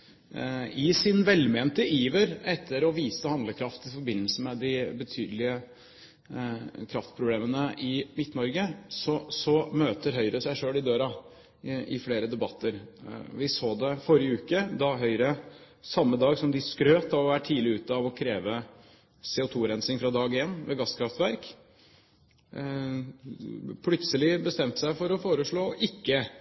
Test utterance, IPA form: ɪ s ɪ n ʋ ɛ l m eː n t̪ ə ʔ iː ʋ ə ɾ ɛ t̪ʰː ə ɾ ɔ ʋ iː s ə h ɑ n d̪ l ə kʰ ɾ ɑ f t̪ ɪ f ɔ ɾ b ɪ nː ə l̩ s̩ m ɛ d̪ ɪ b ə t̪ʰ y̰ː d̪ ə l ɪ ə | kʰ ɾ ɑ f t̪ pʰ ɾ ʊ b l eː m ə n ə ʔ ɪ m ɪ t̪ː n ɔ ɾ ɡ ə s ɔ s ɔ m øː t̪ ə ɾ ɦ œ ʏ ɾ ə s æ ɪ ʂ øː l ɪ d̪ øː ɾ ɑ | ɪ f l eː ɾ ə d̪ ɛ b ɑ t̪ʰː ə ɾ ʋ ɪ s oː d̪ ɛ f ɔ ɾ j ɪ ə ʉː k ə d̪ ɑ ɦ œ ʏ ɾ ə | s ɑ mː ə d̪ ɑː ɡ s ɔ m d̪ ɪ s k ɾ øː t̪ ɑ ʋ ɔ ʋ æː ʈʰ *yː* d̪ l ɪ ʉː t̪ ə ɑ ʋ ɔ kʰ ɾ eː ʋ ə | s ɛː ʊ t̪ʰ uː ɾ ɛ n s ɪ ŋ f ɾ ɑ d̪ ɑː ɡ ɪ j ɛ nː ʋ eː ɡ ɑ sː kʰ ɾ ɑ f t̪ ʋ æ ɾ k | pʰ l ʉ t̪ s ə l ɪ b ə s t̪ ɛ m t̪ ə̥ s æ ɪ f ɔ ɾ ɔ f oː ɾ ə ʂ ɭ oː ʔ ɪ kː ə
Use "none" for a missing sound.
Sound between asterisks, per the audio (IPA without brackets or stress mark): iː